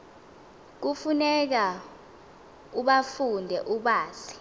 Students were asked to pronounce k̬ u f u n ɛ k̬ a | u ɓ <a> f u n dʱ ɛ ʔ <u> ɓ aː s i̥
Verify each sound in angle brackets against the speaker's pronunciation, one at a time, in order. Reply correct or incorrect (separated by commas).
correct, correct